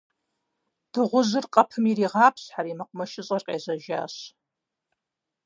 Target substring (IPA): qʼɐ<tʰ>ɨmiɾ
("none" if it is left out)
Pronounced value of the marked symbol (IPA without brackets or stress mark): pʰ